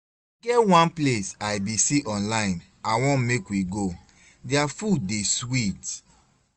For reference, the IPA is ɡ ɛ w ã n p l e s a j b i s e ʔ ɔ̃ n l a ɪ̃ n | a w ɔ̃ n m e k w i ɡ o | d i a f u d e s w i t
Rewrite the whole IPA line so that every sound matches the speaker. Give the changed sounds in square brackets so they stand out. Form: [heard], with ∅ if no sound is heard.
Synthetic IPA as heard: ɡ ɛ w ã n p l e s a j b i s [i] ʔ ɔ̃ n l a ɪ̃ n | a w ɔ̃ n m e k w i ɡ o | d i a f u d e s w i t